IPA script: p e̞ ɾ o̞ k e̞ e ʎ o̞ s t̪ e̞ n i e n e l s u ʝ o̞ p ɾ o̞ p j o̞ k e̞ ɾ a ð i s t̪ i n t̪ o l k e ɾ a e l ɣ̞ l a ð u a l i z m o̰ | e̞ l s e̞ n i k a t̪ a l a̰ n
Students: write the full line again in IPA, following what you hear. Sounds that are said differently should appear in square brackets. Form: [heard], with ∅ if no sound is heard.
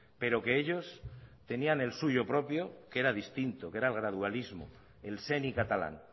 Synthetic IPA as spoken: p e̞ ɾ o̞ k e̞ e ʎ o̞ s t̪ e̞ n i [a] n e l s u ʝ o̞ p ɾ o̞ p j o̞ k e̞ ɾ a ð i s t̪ i n t̪ o [∅] k e ɾ a e l ɣ̞ [ɾ] a ð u a l i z m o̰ | e̞ l s e̞ n i k a t̪ a l a̰ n